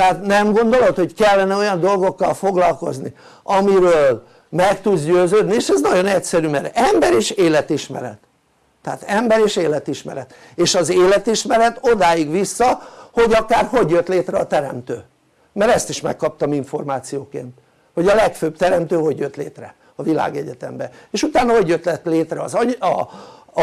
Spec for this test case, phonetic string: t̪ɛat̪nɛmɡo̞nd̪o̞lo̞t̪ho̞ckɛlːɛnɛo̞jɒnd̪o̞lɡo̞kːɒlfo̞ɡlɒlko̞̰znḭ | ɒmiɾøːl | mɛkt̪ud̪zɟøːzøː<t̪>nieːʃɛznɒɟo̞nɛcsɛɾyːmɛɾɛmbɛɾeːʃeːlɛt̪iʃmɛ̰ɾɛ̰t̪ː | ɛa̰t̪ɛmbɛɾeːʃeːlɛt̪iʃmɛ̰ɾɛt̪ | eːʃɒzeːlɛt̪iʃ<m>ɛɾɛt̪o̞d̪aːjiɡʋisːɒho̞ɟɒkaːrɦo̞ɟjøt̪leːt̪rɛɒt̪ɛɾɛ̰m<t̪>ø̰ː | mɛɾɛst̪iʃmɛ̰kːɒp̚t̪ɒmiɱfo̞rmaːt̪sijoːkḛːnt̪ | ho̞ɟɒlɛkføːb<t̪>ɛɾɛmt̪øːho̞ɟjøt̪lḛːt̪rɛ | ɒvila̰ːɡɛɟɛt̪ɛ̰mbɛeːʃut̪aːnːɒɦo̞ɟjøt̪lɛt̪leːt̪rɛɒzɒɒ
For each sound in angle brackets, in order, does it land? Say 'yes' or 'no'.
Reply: no, yes, yes, yes

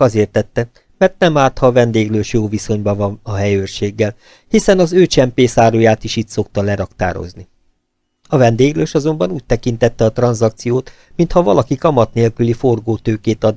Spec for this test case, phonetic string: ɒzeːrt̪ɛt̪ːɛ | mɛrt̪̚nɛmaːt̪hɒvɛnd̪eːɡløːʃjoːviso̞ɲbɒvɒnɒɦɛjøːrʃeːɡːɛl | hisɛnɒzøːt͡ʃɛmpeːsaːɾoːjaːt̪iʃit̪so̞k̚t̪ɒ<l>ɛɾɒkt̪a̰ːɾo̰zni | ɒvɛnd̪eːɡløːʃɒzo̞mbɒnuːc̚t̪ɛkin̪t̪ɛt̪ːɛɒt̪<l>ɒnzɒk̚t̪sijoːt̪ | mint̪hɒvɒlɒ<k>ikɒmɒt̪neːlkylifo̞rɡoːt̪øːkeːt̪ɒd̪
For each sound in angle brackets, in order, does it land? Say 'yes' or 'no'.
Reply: yes, no, yes

